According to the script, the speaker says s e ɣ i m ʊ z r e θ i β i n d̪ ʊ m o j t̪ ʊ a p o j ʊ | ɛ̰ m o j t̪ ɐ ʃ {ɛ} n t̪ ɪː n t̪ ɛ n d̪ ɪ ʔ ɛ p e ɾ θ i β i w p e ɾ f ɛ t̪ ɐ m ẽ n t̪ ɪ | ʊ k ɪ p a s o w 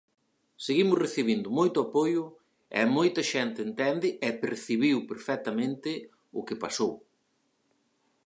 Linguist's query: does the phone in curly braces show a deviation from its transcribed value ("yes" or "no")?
no